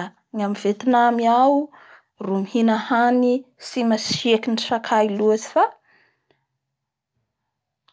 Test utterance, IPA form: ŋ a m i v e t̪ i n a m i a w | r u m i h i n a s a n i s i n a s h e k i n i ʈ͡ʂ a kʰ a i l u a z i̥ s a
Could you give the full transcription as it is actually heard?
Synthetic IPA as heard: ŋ a m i v e t̪ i n a m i a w | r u m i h i n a h a n i s i m a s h e k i n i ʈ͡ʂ a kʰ a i l u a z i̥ f a

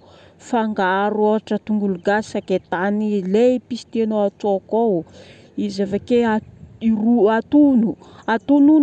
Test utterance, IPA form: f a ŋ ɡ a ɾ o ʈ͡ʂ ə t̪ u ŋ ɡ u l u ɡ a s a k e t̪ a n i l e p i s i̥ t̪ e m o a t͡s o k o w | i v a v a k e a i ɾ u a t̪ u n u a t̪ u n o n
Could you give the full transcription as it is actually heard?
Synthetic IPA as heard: f a ŋ ɡ a ɾ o ʈ͡ʂ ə t̪ u ŋ ɡ u l u ɡ a s a k e t̪ a n i l e p i s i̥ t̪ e n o a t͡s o k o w | i z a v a k e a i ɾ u a t̪ u n u a t̪ u n u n

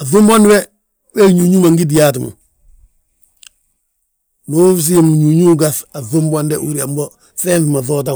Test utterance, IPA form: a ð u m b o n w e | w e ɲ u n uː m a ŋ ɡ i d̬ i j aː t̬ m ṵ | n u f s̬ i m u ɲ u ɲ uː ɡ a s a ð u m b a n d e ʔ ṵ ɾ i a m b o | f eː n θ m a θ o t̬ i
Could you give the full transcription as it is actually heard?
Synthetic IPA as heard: a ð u m b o n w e | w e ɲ u ɲ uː m a ŋ ɡ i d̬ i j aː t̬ m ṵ | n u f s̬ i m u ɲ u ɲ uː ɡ a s a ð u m b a n d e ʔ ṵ ɾ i a m b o | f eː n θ m a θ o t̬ a

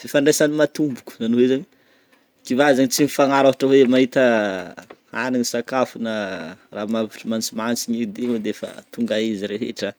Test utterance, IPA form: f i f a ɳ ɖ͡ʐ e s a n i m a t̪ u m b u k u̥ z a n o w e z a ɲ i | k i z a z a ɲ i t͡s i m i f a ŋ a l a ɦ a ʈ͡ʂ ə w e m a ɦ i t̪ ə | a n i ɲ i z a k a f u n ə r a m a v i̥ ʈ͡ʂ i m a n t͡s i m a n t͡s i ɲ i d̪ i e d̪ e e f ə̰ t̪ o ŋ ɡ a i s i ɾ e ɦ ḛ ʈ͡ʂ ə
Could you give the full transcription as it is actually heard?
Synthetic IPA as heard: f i f a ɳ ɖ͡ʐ e s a n i m a t̪ u m b u k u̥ z a n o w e z a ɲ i | k i v a z a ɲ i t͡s i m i f a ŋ a ɾ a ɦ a ʈ͡ʂ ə w e m a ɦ i t̪ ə | a n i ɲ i s a k a f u n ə r a m a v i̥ ʈ͡ʂ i m a n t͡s i m a n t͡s i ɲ i d̪ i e d̪ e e f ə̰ t̪ u ŋ ɡ a i z i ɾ e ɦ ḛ ʈ͡ʂ ə

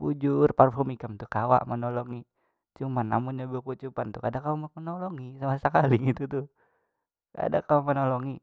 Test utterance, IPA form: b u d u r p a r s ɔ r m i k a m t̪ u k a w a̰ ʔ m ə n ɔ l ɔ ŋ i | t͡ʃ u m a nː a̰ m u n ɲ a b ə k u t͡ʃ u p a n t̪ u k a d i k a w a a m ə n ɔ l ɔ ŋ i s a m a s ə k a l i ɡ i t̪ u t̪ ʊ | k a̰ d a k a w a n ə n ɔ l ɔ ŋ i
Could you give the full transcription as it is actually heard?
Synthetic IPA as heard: b u d͡ʒ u r p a r f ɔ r m i k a m t̪ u k a w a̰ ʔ m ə n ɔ l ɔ ŋ i | t͡ʃ u m a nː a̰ m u n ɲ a b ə k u t͡ʃ u p a n t̪ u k a d a k a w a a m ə n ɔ l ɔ ŋ i s a m a s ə k a l i ɡ i t̪ u t̪ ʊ | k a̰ d a k a w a m ə n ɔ l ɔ ŋ i

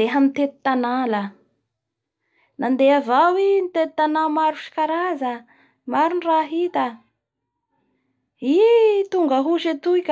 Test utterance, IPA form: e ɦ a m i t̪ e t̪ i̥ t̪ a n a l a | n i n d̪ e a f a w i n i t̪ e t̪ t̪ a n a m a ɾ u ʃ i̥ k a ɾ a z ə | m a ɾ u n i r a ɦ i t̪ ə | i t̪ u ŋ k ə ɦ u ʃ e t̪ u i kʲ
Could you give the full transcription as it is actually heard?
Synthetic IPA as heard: e ɦ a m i t̪ e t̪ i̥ t̪ a n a l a | n a n d̪ e a v a w i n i t̪ e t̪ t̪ a n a m a ɾ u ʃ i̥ k a ɾ a z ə | m a ɾ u n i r a ɦ i t̪ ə | i t̪ u ŋ ɡ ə ɦ u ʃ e t̪ u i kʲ

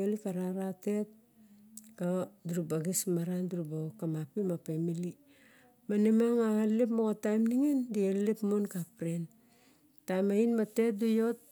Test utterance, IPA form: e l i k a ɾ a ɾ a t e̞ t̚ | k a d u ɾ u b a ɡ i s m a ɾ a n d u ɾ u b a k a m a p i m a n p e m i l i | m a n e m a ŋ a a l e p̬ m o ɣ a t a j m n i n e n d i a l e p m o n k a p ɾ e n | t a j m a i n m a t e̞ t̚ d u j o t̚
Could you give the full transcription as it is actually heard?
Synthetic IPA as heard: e l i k a ɾ a ɾ a t e̞ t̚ | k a d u ɾ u b a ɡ i s m a ɾ a n d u ɾ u b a k a m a p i m a p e m i l i | m a n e m a ŋ a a l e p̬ m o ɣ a t a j m n i ŋ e n d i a l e p m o n k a p ɾ e n | t a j m a i n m a t e̞ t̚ d u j o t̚

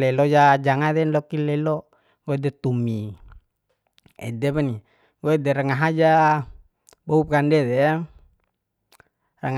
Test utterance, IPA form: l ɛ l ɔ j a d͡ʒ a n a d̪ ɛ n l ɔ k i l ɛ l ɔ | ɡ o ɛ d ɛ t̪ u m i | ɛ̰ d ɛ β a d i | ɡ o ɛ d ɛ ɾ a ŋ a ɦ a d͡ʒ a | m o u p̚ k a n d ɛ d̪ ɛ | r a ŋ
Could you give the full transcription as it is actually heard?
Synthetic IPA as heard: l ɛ l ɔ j a d͡ʒ a ŋ a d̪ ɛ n l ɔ k i l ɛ l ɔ | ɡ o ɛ d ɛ t̪ u m i | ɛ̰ d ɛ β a n i | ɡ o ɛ d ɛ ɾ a ŋ a ɦ a d͡ʒ a | b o u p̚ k a n d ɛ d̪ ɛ | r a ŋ

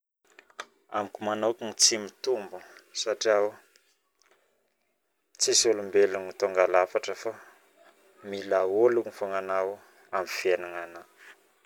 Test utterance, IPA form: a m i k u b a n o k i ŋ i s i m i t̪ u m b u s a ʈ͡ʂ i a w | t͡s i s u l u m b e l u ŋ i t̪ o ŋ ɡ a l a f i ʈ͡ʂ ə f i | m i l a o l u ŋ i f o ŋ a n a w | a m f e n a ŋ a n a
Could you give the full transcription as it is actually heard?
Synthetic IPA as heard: a m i k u m a n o k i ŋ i t͡s i m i t̪ u m b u s a ʈ͡ʂ i a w | t͡s i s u l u m b e l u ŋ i t̪ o ŋ ɡ a l a f a ʈ͡ʂ ə f a | m i l a o l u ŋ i f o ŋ a n a w | a m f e n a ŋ a n a

